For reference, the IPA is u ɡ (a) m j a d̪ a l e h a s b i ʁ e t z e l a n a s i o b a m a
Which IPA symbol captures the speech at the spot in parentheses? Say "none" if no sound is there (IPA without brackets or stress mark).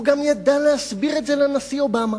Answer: a